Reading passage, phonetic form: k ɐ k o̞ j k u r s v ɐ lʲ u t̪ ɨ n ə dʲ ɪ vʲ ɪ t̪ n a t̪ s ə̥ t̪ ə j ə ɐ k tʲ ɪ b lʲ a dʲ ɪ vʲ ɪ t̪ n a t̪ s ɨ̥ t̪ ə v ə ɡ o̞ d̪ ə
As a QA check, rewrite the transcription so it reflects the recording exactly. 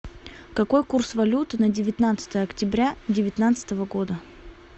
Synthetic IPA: k ɐ k o̞ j k u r s v ɐ lʲ u t̪ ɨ n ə dʲ ɪ vʲ ɪ t̪ n a t̪ s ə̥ t̪ ə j ə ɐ k tʲ ɪ b ɾʲ a dʲ ɪ vʲ ɪ t̪ n a t̪ s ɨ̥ t̪ ə v ə ɡ o̞ d̪ ə